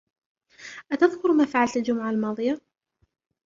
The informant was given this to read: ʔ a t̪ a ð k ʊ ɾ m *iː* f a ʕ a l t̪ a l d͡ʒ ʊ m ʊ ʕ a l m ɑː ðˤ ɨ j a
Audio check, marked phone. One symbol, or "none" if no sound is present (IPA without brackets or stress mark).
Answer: aː